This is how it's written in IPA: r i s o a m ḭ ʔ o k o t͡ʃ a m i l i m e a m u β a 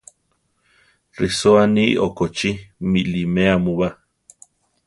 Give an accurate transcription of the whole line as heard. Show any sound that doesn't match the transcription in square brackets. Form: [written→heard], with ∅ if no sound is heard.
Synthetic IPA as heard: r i s o a [m→n] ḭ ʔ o k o t͡ʃ [a→i] m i l i m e a m u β a